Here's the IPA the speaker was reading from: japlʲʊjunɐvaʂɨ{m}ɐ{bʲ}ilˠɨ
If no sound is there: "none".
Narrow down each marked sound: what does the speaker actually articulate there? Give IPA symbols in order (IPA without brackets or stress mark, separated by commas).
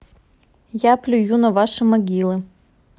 m, ɡʲ